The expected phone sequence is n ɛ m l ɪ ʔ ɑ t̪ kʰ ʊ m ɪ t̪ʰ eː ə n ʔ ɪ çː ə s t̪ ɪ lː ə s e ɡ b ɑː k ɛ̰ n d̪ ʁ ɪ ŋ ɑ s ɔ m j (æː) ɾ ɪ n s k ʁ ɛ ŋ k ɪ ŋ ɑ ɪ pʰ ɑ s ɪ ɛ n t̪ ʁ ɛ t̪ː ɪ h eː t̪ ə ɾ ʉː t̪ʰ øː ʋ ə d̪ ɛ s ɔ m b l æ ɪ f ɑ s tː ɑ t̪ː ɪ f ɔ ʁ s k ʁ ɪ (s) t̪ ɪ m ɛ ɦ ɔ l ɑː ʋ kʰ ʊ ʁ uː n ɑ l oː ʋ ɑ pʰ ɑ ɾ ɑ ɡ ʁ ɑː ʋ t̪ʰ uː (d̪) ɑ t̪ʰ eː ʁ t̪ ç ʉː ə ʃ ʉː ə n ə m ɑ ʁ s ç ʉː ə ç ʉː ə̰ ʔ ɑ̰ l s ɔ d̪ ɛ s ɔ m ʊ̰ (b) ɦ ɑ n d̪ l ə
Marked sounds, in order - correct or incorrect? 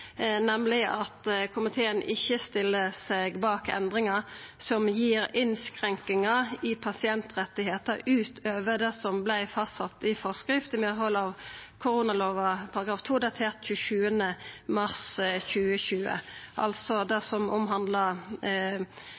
incorrect, incorrect, correct, incorrect

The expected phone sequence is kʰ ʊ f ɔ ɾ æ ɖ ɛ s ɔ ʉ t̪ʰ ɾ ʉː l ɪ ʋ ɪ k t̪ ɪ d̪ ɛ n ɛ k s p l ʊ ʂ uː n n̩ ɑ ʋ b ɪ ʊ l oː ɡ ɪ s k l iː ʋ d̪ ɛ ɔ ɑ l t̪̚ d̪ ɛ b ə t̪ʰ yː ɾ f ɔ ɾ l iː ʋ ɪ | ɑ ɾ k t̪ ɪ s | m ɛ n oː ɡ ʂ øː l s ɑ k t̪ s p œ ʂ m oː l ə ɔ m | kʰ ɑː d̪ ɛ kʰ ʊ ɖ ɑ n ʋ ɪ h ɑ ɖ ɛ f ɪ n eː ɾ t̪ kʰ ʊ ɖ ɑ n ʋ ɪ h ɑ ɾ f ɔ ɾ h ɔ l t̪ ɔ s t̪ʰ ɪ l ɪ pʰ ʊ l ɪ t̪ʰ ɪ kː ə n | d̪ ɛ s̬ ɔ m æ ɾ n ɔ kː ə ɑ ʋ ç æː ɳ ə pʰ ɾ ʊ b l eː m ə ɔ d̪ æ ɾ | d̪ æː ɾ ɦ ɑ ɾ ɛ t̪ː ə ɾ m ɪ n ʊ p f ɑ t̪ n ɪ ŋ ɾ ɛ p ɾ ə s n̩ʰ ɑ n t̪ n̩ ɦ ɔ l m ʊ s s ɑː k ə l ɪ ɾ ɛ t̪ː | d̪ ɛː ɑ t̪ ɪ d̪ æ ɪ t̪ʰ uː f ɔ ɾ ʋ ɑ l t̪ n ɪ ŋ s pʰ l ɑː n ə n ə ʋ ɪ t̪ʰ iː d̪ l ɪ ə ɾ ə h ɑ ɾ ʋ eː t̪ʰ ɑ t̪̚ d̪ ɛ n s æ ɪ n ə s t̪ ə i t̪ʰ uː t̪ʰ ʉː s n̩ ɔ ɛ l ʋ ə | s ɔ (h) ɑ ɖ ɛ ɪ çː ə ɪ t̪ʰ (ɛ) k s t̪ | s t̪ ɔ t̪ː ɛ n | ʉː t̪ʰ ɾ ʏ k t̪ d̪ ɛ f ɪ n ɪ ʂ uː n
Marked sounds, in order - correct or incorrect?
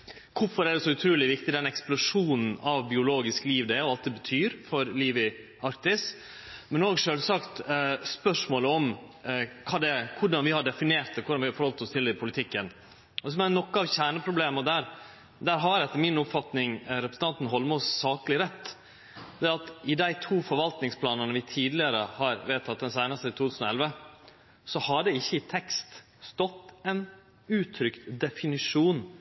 correct, correct

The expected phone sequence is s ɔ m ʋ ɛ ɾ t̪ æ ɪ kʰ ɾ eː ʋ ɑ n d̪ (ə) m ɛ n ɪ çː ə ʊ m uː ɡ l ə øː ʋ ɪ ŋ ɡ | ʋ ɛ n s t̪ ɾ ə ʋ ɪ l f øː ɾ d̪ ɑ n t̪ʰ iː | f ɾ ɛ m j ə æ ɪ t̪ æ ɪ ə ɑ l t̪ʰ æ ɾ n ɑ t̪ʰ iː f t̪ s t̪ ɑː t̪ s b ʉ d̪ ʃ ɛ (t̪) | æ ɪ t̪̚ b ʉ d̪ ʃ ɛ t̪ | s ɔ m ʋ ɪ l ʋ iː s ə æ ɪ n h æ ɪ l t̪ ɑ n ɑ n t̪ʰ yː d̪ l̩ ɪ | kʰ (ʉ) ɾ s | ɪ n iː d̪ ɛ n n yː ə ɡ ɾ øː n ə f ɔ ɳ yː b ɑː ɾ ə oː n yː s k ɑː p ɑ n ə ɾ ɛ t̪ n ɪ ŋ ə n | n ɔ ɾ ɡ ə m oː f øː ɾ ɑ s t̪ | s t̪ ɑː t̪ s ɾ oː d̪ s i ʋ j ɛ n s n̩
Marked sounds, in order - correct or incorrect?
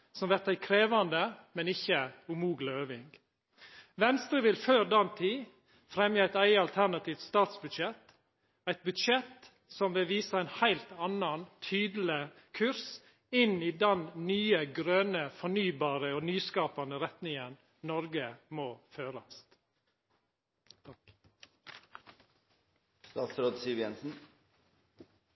correct, correct, correct

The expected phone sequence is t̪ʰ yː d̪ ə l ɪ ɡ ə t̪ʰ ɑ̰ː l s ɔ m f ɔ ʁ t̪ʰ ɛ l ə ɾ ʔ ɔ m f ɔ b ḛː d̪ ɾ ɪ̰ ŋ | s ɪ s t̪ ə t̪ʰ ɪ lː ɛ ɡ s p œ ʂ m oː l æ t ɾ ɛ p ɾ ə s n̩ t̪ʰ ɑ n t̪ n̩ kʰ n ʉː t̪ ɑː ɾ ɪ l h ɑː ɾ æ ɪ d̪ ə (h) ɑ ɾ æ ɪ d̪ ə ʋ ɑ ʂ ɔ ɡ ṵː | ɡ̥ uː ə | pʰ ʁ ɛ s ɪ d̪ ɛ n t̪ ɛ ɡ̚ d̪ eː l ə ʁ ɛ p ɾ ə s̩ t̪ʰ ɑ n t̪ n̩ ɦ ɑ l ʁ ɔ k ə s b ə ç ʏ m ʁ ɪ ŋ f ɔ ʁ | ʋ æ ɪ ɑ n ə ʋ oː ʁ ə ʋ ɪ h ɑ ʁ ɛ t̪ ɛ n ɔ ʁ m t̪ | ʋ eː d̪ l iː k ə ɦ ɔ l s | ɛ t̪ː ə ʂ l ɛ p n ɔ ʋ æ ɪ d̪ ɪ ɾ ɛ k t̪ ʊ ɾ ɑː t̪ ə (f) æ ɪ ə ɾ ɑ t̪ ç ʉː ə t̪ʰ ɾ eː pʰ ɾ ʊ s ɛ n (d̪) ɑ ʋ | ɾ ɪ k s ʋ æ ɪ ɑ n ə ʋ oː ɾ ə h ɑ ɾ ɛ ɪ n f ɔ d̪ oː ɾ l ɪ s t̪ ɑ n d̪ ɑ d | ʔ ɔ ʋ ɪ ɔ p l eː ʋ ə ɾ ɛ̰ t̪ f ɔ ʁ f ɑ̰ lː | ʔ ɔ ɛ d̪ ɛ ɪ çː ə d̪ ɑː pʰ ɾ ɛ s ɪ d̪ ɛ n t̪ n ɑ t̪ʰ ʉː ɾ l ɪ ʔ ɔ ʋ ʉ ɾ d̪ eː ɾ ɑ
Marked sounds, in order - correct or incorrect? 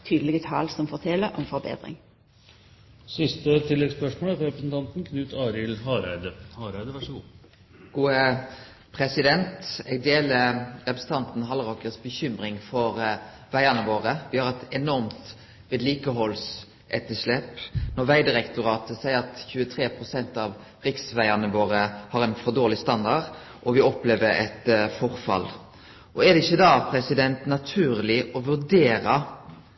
correct, incorrect, incorrect

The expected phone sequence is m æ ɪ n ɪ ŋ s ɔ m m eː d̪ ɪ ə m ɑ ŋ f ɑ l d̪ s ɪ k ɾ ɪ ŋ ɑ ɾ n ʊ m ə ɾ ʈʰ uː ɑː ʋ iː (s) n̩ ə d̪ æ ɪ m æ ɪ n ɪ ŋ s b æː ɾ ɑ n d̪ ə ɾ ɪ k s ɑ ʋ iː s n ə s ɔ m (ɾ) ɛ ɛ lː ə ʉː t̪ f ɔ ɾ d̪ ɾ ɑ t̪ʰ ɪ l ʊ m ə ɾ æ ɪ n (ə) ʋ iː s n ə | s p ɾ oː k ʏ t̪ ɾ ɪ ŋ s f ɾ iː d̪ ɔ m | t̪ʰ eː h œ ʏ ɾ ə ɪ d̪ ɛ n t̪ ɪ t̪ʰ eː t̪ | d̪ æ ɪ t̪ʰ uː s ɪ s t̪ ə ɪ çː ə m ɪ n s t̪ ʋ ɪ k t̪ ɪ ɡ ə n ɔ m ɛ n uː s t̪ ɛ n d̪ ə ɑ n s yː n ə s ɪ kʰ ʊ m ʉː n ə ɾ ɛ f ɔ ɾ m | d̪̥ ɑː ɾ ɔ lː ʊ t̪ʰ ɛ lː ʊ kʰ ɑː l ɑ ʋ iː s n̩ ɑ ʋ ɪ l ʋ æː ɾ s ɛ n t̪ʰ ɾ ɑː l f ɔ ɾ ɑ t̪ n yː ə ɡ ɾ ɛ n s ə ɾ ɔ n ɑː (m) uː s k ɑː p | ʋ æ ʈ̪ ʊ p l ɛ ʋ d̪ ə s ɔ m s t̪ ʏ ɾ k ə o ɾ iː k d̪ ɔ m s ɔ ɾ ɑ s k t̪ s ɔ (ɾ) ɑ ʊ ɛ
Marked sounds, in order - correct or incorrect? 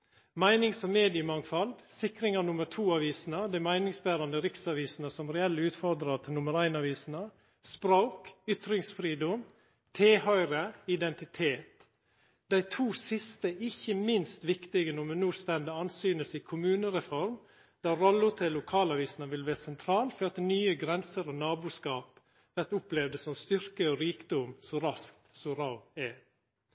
correct, correct, incorrect, incorrect, correct

